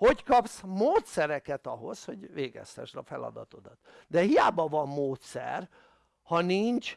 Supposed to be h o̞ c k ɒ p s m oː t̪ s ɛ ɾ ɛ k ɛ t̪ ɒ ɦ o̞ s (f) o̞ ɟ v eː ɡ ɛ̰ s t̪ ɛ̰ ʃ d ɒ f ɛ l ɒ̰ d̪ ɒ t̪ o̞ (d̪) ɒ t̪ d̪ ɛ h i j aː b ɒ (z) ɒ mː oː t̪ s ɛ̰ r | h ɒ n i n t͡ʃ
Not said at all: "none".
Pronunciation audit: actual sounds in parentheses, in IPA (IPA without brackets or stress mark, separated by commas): h, d̪, v